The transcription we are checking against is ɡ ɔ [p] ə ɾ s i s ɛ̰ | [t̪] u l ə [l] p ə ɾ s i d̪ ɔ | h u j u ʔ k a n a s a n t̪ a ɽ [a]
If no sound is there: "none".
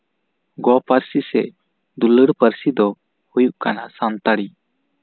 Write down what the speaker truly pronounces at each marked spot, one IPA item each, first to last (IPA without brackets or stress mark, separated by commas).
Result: p, d̪, ɽ, i